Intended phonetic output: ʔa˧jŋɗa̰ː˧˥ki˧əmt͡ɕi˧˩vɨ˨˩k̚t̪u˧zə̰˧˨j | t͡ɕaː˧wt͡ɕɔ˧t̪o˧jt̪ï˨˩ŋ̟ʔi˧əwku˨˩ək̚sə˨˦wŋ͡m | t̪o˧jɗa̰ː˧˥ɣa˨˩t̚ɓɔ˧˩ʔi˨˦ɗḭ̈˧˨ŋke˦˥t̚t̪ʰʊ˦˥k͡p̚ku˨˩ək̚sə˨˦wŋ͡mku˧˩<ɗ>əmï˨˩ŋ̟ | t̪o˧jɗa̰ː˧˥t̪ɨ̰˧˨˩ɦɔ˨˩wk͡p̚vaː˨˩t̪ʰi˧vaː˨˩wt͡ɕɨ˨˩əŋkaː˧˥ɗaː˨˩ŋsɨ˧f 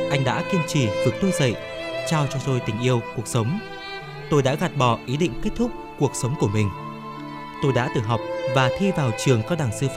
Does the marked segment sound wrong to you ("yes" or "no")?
yes